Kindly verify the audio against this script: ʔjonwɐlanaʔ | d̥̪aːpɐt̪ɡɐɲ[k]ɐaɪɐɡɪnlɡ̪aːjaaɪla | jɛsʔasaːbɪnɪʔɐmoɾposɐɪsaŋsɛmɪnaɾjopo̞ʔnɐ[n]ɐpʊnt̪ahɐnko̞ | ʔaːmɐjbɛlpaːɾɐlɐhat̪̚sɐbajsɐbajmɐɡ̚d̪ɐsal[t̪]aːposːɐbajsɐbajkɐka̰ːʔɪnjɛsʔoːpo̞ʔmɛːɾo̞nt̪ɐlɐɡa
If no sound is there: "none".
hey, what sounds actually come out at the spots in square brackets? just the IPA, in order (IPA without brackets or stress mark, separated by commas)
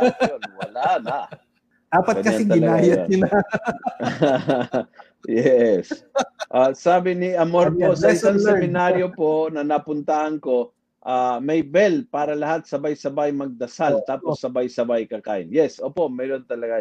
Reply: k, n, t̪